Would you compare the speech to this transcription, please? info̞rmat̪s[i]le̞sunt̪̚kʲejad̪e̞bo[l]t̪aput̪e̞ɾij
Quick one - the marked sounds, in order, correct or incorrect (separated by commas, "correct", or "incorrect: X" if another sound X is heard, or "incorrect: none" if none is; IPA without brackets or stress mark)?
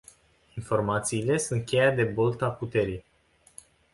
incorrect: iː, correct